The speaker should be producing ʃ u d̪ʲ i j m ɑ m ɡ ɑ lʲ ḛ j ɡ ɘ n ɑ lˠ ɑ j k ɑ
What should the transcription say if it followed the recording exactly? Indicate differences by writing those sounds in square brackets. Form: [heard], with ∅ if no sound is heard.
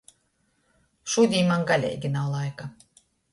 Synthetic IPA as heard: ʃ u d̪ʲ i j m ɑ [ŋ] ɡ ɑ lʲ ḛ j ɡ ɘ n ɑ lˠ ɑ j k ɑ